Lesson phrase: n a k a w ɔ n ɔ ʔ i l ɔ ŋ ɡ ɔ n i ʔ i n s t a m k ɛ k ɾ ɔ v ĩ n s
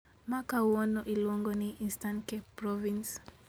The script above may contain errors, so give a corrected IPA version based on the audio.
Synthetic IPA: m a k a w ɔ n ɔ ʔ i l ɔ ŋ ɡ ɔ n i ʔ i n s t a n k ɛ p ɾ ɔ v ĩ n s